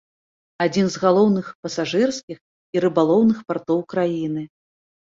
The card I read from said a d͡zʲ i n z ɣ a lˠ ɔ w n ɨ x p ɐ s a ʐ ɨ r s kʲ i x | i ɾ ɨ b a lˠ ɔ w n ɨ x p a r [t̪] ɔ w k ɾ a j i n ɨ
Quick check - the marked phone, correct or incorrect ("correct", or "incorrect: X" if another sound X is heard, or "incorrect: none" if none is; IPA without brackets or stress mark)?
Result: correct